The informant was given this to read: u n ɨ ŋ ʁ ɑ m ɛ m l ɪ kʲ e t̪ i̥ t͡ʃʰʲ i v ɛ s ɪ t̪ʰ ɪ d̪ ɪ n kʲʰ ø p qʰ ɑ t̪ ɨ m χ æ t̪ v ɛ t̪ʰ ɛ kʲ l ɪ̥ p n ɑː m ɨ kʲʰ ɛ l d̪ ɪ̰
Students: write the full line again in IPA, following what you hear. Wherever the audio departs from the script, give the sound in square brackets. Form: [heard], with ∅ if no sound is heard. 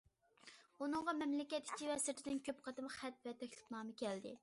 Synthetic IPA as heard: u n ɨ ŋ ʁ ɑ m ɛ m l ɪ kʲ [ɛ] t̪ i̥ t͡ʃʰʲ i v ɛ s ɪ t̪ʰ ɪ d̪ ɪ n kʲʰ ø p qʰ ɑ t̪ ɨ m χ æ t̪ v ɛ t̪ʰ ɛ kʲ l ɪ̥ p n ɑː m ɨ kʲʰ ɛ l d̪ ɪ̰